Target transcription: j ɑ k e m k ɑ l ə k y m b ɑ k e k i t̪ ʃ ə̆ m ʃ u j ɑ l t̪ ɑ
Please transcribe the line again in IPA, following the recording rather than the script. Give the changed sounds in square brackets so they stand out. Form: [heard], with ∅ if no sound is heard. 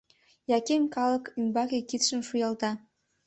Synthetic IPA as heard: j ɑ k e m k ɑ l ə k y m b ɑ k e k i t̪ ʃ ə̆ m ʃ u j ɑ l t̪ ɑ